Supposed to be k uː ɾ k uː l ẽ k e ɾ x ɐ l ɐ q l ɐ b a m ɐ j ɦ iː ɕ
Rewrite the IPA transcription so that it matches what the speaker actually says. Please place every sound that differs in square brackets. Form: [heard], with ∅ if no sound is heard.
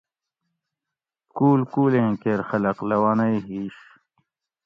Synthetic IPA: k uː [l] k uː l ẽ k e ɾ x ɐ l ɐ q l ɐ [w] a [n] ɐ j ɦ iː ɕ